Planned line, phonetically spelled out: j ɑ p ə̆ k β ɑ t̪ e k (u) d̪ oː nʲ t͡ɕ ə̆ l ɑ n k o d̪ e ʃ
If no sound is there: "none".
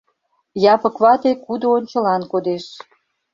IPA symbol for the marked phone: u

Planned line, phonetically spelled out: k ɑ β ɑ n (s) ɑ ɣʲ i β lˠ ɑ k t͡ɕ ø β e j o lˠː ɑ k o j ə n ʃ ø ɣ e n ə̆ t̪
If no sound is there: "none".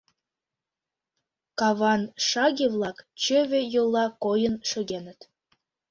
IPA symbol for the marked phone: ʃ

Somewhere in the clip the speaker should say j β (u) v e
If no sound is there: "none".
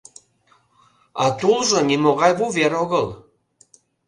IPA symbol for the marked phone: u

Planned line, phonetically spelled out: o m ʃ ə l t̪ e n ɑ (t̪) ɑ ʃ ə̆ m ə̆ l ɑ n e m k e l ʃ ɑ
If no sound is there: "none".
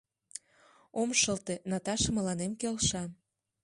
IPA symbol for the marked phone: t̪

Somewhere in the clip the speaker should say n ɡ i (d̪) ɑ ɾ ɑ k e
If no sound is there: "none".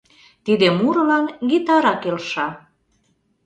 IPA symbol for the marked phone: t̪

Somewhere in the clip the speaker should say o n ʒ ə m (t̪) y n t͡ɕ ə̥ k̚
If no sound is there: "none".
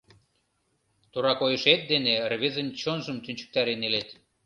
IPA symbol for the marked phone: t̪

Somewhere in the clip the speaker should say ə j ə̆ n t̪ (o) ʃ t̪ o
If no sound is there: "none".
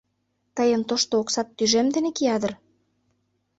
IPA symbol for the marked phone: o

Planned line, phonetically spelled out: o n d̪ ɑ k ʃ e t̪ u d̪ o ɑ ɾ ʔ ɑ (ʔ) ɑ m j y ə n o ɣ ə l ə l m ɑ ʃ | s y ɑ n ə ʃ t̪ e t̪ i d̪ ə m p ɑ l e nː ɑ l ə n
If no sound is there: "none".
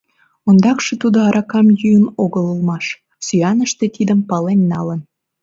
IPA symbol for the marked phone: k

